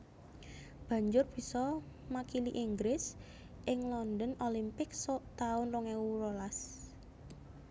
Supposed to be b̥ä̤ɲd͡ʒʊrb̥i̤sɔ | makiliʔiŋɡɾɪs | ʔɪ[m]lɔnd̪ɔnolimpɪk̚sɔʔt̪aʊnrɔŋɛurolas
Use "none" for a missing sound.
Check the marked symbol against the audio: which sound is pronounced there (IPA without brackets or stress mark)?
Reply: ŋ